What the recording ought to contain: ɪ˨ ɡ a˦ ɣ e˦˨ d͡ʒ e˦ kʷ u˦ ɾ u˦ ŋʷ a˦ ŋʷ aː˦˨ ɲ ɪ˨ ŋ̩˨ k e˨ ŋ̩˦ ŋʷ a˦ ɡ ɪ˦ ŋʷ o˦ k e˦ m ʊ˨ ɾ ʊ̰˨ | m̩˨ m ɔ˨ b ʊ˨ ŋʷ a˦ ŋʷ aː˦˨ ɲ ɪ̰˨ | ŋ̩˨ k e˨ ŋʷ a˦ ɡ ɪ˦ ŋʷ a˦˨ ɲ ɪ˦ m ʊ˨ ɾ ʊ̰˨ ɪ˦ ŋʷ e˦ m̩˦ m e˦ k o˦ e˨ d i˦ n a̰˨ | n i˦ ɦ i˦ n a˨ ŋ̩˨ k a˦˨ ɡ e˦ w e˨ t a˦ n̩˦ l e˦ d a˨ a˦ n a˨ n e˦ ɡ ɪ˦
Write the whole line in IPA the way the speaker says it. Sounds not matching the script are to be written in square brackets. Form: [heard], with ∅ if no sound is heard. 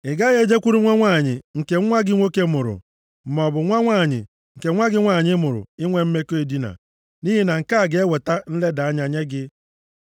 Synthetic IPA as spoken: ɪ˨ ɡ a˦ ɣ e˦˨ d͡ʒ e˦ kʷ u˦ ɾ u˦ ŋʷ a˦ ŋʷ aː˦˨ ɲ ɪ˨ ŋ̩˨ k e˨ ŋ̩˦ ŋʷ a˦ ɡ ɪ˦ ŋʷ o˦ k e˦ m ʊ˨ ɾ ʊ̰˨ | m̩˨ m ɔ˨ b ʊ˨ ŋʷ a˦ ŋʷ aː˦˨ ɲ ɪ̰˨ | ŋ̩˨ k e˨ ŋʷ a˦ ɡ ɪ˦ ŋʷ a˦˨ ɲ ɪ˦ m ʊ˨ ɾ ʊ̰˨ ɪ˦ ŋʷ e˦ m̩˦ m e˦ k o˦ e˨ d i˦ n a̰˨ | n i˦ ɦ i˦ n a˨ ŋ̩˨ k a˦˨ ɡ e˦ w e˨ t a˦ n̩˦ l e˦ d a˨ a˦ [ɲ] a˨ [ɲ] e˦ ɡ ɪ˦